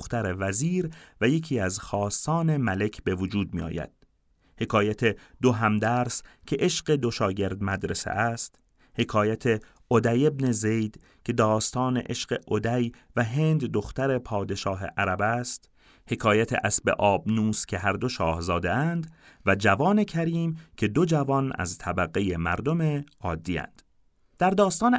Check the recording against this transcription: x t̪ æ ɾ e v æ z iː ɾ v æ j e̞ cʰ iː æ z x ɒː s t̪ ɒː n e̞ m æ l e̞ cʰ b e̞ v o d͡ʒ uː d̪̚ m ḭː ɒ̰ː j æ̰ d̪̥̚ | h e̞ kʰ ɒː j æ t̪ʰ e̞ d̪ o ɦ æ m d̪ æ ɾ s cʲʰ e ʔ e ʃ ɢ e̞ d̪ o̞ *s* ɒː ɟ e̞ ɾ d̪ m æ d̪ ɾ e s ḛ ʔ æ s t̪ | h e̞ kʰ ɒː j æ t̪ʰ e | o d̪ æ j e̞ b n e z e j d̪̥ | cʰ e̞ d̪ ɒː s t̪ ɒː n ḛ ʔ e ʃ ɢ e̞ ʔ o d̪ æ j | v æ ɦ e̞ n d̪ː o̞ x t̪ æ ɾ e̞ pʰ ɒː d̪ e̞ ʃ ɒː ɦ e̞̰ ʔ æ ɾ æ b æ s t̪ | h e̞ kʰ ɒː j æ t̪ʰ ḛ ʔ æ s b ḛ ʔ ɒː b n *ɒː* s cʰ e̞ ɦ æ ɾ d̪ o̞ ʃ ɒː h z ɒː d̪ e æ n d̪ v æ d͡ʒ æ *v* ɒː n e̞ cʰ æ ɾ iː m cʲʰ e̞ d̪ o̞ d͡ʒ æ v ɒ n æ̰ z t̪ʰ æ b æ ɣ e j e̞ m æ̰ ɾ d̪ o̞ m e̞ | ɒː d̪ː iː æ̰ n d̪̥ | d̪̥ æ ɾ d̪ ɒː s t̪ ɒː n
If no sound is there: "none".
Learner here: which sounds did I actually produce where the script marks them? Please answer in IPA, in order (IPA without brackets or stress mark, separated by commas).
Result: ʃ, uː, v